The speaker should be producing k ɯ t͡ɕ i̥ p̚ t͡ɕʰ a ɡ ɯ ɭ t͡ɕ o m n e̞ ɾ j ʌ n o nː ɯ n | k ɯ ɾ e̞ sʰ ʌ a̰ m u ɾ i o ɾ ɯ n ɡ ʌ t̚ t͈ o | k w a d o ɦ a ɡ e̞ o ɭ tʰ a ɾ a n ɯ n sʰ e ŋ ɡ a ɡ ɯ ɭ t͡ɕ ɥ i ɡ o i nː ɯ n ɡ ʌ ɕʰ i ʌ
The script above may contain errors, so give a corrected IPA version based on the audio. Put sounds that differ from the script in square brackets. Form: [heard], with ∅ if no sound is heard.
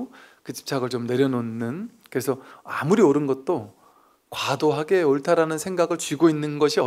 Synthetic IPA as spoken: k ɯ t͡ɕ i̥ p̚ t͡ɕʰ a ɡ ɯ ɭ t͡ɕ o m n e̞ ɾ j ʌ n o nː ɯ n | k ɯ ɾ e̞ sʰ ʌ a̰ m u ɾ i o ɾ ɯ n ɡ ʌ t̚ t͈ o | k w a d o ɦ a ɡ e̞ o ɭ tʰ a ɾ a n ɯ n sʰ e ŋ ɡ a ɡ ɯ ɭ t͡ɕ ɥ i ɡ o i nː ɯ n ɡ ʌ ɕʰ i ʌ